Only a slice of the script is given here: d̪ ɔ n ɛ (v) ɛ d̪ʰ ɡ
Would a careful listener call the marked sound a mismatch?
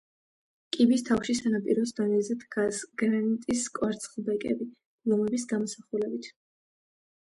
yes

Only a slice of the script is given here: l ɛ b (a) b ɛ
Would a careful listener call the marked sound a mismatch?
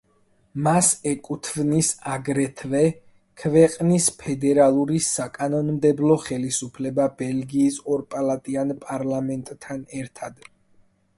no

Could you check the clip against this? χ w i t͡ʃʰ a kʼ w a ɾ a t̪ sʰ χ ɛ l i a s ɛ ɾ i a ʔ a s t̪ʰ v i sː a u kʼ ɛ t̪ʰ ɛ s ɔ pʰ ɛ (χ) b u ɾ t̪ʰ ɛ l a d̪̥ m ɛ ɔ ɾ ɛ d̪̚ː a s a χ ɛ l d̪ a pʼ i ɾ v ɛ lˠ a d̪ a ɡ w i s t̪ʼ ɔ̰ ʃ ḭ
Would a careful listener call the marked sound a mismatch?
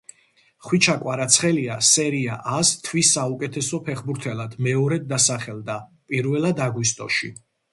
no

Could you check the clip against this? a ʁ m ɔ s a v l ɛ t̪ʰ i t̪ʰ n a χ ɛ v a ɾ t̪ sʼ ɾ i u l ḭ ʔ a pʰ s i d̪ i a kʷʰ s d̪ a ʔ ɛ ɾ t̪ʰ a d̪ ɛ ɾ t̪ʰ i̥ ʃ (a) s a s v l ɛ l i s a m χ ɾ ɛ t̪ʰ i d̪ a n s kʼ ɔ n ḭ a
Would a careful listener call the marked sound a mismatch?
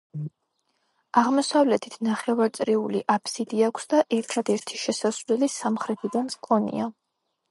yes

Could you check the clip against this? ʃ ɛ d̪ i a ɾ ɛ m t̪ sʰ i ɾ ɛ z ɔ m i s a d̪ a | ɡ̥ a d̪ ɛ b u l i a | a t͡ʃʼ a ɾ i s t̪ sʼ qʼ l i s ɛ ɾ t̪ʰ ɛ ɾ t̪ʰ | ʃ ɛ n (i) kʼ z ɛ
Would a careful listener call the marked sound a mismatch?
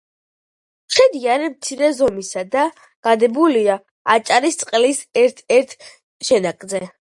yes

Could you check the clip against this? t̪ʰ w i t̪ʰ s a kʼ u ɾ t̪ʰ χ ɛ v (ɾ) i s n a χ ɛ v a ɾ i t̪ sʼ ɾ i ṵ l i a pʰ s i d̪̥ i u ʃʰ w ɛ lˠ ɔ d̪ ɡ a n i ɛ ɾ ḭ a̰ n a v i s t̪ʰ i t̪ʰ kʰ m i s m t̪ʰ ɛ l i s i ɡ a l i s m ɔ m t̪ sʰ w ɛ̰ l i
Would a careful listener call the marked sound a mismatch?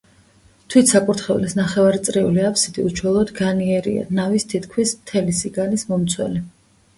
yes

